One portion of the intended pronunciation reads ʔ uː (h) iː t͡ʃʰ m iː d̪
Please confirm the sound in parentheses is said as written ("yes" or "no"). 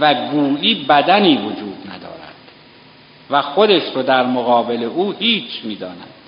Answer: yes